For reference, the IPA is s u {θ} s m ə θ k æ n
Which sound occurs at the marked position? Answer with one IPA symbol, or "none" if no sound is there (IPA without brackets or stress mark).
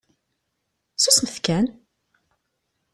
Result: none